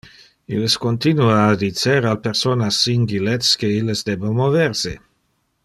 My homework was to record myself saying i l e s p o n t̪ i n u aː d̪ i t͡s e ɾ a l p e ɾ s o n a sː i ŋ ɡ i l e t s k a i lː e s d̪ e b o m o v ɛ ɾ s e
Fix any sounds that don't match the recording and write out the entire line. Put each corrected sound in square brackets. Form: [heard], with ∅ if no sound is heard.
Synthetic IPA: i l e s [k] o n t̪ i n u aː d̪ i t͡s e ɾ a l p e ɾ s o n a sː i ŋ ɡ i l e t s k [e] i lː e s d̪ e b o m o v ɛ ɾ s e